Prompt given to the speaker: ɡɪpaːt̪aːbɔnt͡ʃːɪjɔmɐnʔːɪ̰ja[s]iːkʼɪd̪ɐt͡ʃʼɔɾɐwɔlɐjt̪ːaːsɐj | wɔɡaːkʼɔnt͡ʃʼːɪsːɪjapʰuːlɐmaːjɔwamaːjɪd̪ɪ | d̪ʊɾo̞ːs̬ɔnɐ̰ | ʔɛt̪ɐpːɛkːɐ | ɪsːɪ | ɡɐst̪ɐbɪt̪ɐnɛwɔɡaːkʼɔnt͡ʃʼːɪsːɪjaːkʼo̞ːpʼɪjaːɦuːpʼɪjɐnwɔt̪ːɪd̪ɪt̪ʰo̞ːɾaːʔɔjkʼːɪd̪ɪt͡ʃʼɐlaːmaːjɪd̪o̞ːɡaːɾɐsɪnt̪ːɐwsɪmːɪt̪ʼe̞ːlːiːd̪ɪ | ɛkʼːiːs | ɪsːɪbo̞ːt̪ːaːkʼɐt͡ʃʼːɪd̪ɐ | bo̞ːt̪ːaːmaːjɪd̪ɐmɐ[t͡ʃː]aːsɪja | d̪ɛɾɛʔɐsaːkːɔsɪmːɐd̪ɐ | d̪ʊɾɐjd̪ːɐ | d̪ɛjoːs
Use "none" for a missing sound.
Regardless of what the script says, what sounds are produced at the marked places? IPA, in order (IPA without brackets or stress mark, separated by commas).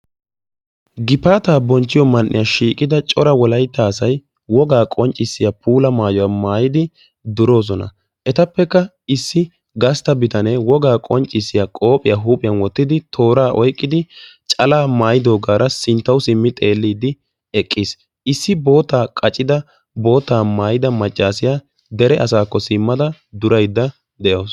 ʃ, t͡ʃʼː